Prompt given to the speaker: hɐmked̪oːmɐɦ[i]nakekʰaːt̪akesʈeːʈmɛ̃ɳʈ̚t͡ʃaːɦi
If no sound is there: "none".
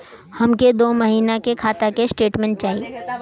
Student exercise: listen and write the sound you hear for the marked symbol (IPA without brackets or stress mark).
iː